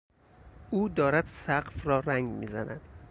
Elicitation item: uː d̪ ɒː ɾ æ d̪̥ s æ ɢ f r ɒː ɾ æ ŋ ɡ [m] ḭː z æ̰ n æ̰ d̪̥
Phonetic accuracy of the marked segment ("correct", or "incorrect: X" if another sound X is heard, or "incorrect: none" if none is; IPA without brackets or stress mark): correct